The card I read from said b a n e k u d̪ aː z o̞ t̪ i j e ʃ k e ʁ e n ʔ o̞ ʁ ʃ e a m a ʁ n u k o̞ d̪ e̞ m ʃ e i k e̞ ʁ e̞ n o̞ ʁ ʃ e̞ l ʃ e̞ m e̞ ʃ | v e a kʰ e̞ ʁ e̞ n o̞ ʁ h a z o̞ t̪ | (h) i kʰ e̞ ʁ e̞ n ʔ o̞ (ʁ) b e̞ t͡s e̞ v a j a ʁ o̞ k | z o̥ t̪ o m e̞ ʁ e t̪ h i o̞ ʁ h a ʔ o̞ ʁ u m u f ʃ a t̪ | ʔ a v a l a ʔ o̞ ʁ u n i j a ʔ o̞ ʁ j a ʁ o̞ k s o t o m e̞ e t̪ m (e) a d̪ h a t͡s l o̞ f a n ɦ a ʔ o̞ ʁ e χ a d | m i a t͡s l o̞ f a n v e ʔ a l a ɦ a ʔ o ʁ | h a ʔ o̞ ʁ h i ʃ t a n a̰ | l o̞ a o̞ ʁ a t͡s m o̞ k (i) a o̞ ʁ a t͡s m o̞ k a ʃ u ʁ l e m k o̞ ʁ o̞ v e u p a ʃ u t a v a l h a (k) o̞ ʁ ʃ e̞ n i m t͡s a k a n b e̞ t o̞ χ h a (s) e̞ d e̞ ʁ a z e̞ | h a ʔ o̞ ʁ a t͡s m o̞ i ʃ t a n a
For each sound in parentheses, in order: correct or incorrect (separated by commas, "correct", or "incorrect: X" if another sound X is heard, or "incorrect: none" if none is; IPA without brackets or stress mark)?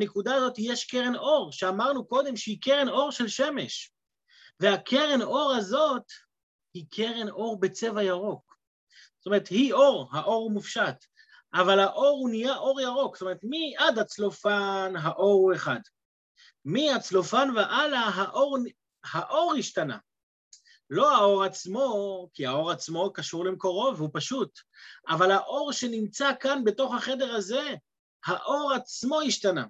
correct, correct, incorrect: i, correct, incorrect: ʔ, incorrect: χ